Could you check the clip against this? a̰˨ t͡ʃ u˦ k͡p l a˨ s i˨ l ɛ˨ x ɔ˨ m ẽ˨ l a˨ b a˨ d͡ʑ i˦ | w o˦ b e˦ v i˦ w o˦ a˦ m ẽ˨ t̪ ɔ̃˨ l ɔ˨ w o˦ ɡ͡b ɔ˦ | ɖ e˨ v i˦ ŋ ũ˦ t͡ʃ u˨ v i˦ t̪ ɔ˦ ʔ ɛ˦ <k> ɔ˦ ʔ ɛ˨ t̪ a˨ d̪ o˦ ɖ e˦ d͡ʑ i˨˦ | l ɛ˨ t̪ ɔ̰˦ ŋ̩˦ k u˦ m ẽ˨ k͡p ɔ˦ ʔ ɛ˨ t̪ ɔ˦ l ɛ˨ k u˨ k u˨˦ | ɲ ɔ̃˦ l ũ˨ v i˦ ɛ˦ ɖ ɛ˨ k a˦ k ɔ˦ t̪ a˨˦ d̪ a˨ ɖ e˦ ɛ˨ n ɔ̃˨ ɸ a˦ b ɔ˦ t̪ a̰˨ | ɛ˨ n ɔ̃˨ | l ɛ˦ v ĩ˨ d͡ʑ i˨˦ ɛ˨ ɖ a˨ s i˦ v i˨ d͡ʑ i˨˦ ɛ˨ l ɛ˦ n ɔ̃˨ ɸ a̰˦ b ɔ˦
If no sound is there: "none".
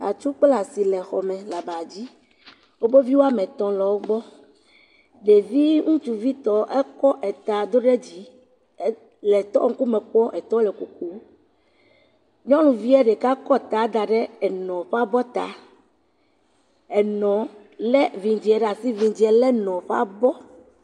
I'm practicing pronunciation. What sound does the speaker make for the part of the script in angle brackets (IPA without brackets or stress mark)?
k